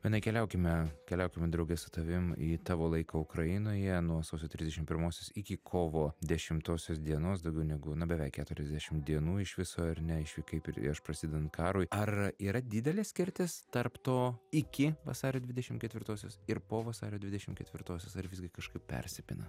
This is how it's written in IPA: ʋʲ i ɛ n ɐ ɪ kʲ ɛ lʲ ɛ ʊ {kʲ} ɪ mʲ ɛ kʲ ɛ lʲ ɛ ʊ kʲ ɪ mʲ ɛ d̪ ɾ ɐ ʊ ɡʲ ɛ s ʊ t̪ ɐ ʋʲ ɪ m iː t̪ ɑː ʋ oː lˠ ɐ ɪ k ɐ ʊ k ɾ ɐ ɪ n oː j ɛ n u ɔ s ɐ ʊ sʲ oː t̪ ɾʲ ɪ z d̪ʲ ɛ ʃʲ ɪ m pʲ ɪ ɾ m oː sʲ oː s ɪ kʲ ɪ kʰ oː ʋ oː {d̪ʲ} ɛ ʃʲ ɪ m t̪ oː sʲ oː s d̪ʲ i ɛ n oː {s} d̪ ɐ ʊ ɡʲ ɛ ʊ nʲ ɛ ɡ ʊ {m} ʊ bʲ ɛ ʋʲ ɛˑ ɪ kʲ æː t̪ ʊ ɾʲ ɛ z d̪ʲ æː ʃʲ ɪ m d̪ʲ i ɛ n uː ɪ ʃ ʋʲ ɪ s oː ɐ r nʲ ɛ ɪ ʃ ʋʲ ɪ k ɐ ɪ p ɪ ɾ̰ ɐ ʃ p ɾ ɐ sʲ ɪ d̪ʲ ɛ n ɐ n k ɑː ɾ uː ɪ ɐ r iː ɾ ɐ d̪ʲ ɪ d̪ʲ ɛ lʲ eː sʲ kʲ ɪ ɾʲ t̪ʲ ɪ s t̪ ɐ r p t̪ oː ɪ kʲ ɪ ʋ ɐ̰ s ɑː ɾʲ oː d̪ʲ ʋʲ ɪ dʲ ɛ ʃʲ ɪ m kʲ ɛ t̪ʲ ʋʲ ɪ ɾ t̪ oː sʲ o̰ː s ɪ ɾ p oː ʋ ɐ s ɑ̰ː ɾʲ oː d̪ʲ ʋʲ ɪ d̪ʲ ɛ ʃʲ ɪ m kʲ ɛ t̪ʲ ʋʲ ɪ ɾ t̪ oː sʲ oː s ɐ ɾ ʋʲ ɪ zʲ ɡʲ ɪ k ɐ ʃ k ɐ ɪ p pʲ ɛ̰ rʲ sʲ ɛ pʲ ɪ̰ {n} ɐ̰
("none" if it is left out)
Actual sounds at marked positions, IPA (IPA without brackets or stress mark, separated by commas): kʲ, d̪ʲ, s, n, n